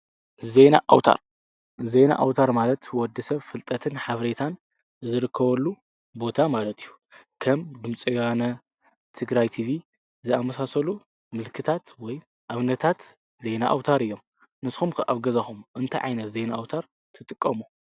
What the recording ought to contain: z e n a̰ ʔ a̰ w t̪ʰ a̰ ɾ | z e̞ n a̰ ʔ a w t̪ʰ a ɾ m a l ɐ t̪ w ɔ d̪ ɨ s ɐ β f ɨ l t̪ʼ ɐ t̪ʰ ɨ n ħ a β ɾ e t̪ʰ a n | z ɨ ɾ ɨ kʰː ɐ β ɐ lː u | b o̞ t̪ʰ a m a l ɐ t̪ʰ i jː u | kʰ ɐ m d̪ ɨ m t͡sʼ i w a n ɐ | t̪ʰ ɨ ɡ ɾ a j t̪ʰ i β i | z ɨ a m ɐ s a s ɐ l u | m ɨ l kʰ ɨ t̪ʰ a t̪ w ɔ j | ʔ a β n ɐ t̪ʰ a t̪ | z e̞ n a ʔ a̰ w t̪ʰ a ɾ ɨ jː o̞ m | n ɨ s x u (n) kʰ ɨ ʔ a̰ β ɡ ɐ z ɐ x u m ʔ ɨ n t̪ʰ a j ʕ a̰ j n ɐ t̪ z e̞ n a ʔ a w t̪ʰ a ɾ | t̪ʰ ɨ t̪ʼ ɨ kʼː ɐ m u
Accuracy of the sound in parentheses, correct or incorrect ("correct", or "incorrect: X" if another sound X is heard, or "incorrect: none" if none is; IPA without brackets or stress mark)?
incorrect: m